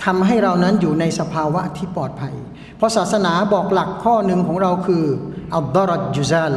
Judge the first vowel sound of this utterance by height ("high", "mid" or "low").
low